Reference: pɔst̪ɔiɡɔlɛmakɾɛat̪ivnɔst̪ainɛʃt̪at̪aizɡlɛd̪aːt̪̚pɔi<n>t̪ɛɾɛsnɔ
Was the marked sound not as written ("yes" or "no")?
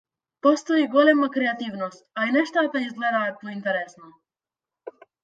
no